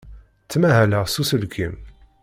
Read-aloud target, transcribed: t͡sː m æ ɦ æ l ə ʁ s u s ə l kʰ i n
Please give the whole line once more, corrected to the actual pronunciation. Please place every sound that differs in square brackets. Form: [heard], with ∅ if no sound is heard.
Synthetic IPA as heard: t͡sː m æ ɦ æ l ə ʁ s u s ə l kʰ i [m]